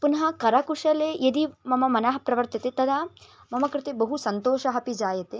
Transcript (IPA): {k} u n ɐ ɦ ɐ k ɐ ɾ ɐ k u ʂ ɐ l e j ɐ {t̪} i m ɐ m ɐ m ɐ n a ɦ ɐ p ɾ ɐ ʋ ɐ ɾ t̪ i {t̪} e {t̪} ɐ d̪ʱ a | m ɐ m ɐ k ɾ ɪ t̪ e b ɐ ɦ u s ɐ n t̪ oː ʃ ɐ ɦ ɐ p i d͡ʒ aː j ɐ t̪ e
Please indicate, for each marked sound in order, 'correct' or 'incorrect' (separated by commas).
incorrect, incorrect, correct, correct